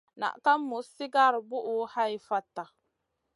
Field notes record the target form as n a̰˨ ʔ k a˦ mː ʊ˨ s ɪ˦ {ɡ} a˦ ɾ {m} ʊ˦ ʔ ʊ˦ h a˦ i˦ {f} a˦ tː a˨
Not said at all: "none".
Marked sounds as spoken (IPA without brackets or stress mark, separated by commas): ɡ, b, f